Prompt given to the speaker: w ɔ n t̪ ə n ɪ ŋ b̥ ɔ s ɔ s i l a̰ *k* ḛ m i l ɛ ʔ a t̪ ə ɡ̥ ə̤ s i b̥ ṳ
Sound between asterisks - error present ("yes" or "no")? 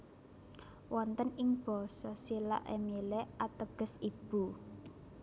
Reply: yes